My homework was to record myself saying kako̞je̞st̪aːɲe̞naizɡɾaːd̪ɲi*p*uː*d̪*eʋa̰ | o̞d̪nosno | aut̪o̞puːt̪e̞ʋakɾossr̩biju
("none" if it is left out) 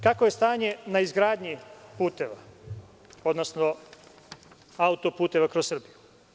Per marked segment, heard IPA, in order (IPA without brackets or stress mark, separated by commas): p, t̪